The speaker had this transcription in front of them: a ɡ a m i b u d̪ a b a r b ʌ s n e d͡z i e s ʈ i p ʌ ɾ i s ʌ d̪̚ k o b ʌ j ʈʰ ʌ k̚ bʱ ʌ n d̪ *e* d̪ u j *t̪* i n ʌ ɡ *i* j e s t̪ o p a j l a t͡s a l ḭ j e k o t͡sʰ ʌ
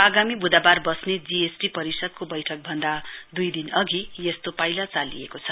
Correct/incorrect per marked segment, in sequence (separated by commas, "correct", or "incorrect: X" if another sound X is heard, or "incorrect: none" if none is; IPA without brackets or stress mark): incorrect: a, incorrect: d̪, correct